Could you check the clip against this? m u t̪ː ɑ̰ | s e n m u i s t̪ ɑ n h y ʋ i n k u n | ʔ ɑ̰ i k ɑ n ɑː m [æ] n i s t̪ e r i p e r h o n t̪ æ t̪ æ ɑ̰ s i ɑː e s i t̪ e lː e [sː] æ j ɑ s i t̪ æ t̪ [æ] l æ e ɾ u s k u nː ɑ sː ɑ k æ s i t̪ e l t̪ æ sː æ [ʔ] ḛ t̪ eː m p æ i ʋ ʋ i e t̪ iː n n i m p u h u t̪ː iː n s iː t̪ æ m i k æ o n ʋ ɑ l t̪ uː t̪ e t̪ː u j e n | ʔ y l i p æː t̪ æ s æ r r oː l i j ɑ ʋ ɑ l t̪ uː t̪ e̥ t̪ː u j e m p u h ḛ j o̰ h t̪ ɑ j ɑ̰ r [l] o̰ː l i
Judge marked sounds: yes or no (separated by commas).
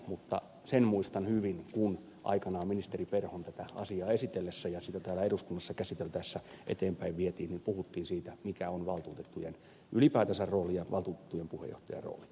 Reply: no, yes, no, yes, no